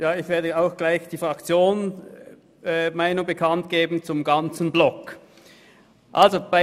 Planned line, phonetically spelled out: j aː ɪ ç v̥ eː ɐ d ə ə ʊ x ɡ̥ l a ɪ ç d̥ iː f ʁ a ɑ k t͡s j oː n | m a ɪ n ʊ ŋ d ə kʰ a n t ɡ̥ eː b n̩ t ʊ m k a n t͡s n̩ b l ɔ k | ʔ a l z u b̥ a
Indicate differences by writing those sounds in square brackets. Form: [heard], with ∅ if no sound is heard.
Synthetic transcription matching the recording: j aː ɪ ç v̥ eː ɐ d ə [a] ʊ x ɡ̥ l a ɪ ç d̥ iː f ʁ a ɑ k t͡s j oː n | m a ɪ n ʊ ŋ [b] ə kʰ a n t ɡ̥ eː b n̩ [t͡s] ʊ m [ɡ] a n t͡s n̩ b l ɔ k | ʔ a l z [o] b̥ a